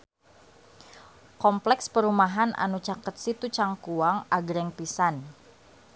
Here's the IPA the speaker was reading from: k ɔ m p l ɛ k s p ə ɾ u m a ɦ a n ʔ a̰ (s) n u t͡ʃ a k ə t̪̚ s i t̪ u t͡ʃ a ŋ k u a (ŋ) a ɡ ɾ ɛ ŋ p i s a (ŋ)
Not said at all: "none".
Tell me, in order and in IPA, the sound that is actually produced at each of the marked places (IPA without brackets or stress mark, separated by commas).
none, ŋ, n